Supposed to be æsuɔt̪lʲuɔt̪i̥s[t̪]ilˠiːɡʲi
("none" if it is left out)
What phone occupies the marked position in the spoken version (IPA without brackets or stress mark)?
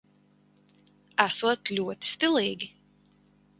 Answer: t̪